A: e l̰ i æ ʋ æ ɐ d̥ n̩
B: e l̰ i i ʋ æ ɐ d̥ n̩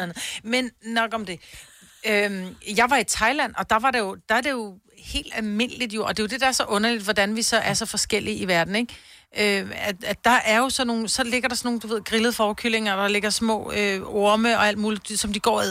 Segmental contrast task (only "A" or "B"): B